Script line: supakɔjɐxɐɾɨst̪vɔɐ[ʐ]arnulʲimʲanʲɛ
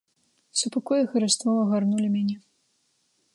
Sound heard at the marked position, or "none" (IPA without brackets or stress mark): ɣ